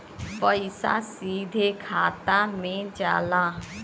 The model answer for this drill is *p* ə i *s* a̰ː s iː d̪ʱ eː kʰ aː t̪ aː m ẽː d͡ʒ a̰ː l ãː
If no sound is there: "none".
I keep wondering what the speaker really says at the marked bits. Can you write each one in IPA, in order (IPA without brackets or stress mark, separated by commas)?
p, s